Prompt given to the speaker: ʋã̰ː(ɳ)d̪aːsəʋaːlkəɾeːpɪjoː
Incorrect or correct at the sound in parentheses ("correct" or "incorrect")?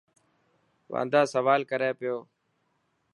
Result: incorrect